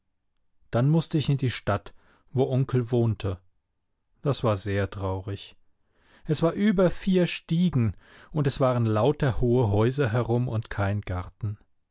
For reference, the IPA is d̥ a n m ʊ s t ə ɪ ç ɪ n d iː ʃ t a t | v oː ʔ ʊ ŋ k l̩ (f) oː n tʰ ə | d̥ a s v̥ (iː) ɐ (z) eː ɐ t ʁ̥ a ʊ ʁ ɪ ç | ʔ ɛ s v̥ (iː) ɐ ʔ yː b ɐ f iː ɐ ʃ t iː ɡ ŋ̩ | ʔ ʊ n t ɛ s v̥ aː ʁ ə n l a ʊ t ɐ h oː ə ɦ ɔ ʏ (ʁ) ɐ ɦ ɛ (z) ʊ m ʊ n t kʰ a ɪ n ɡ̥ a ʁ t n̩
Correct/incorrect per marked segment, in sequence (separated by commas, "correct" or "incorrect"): incorrect, incorrect, correct, incorrect, incorrect, incorrect